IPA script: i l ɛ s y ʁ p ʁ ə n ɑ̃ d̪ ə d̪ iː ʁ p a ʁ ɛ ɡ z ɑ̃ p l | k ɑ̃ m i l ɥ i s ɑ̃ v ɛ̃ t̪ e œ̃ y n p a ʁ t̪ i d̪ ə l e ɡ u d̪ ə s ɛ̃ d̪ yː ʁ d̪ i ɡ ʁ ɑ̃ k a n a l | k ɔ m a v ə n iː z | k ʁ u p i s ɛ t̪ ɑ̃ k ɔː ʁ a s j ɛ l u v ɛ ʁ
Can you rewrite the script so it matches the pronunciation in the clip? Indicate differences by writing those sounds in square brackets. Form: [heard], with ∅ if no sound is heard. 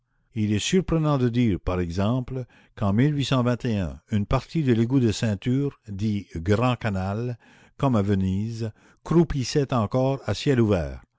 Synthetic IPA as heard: i l ɛ s y ʁ p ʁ ə n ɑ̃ d̪ ə d̪ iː ʁ p a ʁ ɛ ɡ z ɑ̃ p l | k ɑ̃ m i l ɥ i s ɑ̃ v ɛ̃ t̪ e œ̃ y n p a ʁ t̪ i d̪ ə l e ɡ u d̪ ə s ɛ̃ [t̪] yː ʁ d̪ i ɡ ʁ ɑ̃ k a n a l | k ɔ m a v ə n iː z | k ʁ u p i s ɛ t̪ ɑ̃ k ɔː ʁ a s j ɛ l u v [ɛː] ʁ

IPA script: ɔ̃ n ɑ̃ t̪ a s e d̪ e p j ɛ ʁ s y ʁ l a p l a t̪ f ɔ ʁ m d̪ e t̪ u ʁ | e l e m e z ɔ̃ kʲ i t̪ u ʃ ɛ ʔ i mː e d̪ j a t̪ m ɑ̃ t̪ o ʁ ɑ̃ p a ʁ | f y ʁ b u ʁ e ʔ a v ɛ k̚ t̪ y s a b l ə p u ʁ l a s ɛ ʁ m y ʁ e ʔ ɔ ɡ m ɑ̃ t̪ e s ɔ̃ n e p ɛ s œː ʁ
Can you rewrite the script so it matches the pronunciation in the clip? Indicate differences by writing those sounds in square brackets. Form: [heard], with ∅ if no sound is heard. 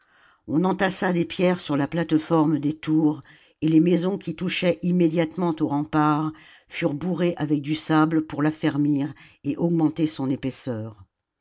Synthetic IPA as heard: ɔ̃ n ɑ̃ t̪ a s [a] d̪ e p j ɛ ʁ s y ʁ l a p l a t̪ f ɔ ʁ m d̪ e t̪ u ʁ | e l e m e z ɔ̃ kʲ i t̪ u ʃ ɛ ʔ i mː e d̪ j a t̪ m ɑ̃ t̪ o ʁ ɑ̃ p a ʁ | f y ʁ b u ʁ e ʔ a v ɛ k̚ [d̪] y s a b l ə p u ʁ l a [f] ɛ ʁ m [i] ʁ e ʔ ɔ ɡ m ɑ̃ t̪ e s ɔ̃ n e p ɛ s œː ʁ

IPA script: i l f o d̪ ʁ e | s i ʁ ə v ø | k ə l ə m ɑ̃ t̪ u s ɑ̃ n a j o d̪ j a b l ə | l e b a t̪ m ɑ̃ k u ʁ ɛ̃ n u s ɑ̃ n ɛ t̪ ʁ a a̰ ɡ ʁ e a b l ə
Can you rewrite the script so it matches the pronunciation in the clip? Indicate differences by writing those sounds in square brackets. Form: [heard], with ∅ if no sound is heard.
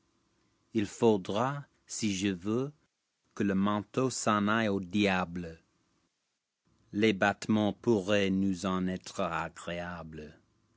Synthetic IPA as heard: i l f o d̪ ʁ [a] | s i [ʒ] ə v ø | k ə l ə m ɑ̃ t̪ [o] s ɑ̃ n a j o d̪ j a b l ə | l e b a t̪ m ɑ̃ [p] u ʁ [ɛ] n u [z] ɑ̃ n ɛ t̪ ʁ [ə] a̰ ɡ ʁ e a b l ə

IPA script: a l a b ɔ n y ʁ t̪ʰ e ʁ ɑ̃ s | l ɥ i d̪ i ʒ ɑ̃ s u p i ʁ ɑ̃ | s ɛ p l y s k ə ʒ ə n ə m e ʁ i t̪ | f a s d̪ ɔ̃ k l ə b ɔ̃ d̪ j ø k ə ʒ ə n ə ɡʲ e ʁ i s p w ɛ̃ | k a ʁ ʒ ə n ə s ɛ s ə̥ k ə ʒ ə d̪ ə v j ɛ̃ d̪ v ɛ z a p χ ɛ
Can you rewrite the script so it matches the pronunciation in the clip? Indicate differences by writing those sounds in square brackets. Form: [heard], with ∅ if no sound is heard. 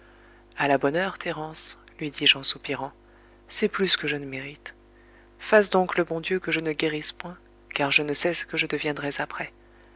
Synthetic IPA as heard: a l a b ɔ n [œ] ʁ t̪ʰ e ʁ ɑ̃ s | l ɥ i d̪ i ʒ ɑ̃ s u p i ʁ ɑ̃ | s ɛ p l y s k ə ʒ ə n ə m e ʁ i t̪ | f a s d̪ ɔ̃ k l ə b ɔ̃ d̪ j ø k ə ʒ ə n ə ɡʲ e ʁ i s p w ɛ̃ | k a ʁ ʒ ə n ə s ɛ s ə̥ k ə ʒ ə d̪ ə v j ɛ̃ d̪ [ʁ] ɛ z a p χ ɛ

